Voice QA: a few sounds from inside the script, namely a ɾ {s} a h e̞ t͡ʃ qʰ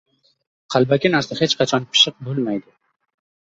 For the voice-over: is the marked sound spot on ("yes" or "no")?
yes